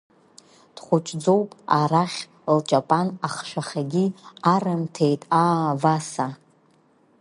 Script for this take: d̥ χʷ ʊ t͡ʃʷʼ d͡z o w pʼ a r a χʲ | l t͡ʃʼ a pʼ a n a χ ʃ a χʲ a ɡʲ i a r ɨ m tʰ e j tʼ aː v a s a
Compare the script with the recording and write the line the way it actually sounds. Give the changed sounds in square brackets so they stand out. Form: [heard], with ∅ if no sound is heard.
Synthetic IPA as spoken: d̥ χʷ ʊ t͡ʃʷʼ d͡z o w pʼ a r a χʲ | l t͡ʃʼ a pʼ a n a χ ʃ a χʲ a ɡʲ i a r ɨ m tʰ e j tʼ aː v a s a